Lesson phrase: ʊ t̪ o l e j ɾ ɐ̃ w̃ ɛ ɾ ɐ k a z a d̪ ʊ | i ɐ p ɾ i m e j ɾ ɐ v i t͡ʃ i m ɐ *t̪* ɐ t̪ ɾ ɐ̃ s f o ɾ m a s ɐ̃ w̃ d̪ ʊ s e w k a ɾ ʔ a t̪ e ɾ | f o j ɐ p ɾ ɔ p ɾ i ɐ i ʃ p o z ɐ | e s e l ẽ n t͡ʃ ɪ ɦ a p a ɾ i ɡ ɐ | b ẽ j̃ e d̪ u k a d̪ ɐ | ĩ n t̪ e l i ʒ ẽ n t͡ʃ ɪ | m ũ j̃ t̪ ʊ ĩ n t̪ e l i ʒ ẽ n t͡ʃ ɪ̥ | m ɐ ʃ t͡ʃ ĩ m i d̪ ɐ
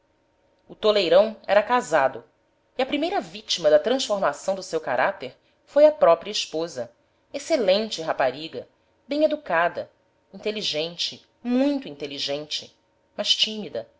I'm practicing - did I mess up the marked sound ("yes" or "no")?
yes